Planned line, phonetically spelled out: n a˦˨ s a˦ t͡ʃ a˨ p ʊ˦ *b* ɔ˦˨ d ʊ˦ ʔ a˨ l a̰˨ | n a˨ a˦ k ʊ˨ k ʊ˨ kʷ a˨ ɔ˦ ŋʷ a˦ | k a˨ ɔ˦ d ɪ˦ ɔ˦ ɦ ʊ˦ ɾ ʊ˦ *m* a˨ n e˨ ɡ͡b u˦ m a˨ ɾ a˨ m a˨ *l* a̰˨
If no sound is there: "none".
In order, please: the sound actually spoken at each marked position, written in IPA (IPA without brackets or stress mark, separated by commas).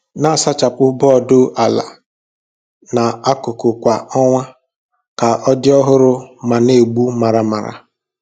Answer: b, m, ɾ